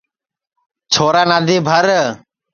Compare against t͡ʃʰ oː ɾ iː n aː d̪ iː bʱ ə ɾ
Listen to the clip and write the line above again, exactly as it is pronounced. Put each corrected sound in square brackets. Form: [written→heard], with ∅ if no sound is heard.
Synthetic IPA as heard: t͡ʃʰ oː ɾ [iː→aː] n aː d̪ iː bʱ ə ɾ